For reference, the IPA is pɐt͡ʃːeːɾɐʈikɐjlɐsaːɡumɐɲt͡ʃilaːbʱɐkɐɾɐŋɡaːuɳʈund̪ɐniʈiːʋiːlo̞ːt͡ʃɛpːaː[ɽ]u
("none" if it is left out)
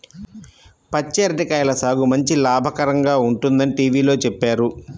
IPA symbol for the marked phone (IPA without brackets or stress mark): ɾ